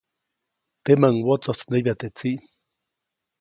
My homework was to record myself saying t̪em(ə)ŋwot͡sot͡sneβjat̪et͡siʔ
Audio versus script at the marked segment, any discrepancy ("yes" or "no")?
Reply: yes